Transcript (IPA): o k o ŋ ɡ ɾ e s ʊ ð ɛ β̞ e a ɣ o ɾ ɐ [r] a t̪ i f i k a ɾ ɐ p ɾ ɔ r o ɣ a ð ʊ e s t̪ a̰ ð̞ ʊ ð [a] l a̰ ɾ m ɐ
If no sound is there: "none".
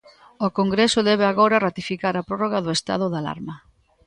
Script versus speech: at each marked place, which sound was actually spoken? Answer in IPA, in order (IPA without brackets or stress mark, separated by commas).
r, a